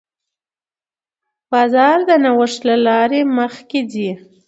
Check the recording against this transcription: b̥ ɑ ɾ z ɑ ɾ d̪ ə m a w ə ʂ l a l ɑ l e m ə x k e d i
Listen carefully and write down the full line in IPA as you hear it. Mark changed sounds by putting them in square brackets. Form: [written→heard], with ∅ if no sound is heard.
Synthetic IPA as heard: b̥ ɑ [ɾ→∅] z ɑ ɾ d̪ ə [m→n] a w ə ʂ l a l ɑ [l→ɾ] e m ə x k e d i